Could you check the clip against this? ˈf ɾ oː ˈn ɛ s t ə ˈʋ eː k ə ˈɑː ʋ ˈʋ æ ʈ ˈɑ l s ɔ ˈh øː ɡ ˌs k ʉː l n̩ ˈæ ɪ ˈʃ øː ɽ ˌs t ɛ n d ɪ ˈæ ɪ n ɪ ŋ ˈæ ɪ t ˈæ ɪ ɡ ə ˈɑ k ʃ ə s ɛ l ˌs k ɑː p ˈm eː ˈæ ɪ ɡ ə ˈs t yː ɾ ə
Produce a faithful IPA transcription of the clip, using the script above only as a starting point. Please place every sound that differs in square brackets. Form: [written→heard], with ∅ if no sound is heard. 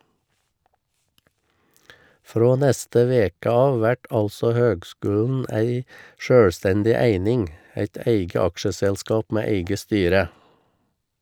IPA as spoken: ˈf ɾ oː ˈn ɛ s t ə ˈʋ eː k ə ˈɑː ʋ ˈʋ æ ʈ ˈɑ l s ɔ ˈh øː ɡ ˌs k ʉː l n̩ ˈæ ɪ ˈʃ øː ɽ ˌs t ɛ n d ɪ ˈæ ɪ n ɪ ŋ ˈæ ɪ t ˈæ ɪ ɡ ə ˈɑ k ʃ ə s ɛ l ˌs k ɑː p ˈm eː ˈæ ɪ ɡ ə ˈs t yː ɾ ə